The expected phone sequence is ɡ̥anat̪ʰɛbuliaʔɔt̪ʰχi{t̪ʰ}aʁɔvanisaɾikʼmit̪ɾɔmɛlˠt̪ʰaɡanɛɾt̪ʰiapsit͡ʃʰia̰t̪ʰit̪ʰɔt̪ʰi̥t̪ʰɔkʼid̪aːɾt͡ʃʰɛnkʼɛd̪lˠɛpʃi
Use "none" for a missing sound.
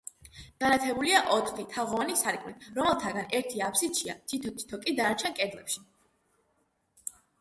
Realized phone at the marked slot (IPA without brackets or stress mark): t̪ʰ